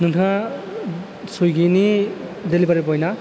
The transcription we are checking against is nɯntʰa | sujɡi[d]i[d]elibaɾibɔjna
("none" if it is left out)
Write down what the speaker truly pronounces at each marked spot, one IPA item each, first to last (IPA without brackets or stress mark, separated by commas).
n, d